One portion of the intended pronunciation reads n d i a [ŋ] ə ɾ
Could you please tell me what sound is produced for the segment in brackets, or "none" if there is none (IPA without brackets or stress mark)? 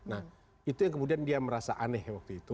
m